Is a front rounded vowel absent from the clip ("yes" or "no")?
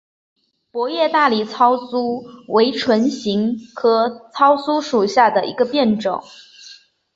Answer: yes